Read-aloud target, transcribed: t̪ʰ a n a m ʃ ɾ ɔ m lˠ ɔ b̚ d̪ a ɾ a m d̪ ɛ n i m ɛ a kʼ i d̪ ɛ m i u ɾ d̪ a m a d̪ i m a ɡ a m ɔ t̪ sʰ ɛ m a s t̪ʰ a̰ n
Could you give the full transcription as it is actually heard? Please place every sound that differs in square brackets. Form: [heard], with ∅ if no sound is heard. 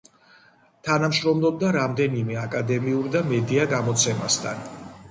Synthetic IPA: t̪ʰ a n a m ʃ ɾ ɔ m lˠ ɔ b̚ d̪ a ɾ a m d̪ ɛ n i m ɛ a kʼ [a] d̪ ɛ m i u ɾ d̪ a m [ɛ] d̪ i [∅] a ɡ a m ɔ t̪ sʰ ɛ m a s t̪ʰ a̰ n